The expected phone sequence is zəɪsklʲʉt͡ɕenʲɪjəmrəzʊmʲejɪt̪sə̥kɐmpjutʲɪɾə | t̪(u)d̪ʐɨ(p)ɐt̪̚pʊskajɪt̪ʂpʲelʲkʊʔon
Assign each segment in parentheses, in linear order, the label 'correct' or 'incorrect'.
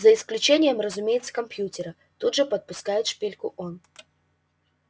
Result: correct, correct

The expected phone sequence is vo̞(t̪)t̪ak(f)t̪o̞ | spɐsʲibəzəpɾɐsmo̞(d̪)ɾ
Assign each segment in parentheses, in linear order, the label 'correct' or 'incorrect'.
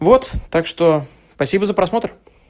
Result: correct, incorrect, incorrect

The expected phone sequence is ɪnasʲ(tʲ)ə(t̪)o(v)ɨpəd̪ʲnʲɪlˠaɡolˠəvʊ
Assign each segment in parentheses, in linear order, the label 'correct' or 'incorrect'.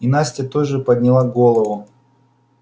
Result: correct, correct, incorrect

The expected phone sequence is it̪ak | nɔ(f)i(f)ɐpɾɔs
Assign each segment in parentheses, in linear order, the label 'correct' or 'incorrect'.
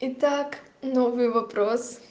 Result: incorrect, incorrect

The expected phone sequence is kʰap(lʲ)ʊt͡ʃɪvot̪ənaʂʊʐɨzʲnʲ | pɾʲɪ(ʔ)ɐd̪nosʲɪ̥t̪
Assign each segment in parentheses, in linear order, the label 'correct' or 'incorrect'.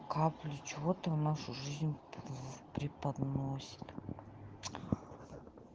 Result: correct, incorrect

